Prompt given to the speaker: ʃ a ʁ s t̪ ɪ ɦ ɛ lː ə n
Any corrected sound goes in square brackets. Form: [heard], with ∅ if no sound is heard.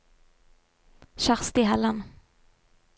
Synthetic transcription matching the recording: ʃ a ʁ s t̪ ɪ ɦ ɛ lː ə n